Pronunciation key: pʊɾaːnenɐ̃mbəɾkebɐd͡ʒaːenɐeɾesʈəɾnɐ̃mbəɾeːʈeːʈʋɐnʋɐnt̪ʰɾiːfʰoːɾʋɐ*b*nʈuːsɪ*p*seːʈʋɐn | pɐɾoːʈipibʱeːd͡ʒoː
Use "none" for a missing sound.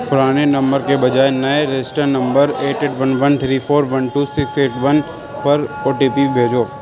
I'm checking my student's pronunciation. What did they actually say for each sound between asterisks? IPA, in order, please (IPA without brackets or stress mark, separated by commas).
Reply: none, k